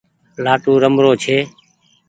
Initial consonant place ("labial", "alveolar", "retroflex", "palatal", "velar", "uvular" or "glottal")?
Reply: alveolar